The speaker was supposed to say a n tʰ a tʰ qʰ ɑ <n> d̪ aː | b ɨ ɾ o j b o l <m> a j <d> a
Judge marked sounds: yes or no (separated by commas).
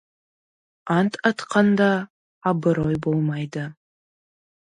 yes, yes, yes